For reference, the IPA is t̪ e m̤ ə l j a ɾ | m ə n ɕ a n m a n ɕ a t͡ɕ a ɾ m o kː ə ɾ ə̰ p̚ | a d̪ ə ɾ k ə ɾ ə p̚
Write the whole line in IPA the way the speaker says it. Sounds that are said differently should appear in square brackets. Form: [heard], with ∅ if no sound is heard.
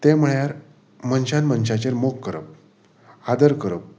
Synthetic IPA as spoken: t̪ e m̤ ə [ɭ] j a ɾ | m ə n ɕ a n m [ə] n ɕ a t͡ɕ [e] ɾ m o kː ə ɾ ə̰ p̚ | a d̪ ə ɾ k ə ɾ ə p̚